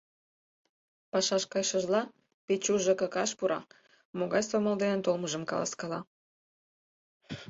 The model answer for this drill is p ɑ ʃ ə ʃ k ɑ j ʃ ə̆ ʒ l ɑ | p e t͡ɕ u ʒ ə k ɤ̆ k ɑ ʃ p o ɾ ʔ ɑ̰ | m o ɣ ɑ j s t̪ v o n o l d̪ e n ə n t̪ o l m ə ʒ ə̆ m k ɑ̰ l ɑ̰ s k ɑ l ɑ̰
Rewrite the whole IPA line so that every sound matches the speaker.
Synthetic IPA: p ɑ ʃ ɑ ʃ k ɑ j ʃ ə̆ ʒ l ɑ | p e t͡ɕ u ʒ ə k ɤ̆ k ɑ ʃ p u ɾ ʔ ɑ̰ | m o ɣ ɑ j s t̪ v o m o l d̪ e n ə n t̪ o l m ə ʒ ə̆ m k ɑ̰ l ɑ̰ s k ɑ l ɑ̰